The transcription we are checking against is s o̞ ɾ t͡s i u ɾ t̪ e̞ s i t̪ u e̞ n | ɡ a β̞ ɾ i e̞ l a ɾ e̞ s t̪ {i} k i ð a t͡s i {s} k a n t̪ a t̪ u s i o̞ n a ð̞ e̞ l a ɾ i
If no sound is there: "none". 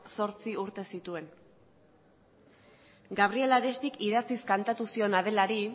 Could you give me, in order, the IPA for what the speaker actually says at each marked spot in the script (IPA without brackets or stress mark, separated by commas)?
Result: i, s